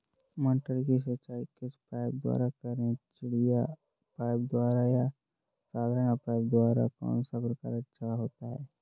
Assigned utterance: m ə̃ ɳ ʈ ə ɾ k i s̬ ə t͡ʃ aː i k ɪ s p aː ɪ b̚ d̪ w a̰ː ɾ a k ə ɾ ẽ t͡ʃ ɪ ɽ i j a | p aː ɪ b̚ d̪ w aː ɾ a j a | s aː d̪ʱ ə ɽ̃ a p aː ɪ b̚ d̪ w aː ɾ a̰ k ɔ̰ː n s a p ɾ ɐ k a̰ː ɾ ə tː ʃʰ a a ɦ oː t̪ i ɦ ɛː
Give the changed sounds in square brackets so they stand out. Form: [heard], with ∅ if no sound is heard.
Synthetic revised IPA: m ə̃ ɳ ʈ ə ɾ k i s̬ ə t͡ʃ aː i k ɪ s p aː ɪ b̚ d̪ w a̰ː ɾ a k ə ɾ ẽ t͡ʃ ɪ ɽ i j a | p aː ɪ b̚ d̪ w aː ɾ a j a | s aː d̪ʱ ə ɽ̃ a p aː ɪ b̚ d̪ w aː ɾ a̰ k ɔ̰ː n s a p ɾ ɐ k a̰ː ɾ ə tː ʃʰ a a ɦ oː t̪ [a] ɦ ɛː